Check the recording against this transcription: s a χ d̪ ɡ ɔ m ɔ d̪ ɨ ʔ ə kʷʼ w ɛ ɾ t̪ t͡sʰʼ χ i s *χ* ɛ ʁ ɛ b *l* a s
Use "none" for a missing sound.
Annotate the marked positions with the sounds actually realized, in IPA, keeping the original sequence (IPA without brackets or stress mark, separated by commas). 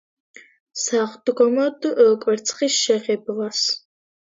ʃ, l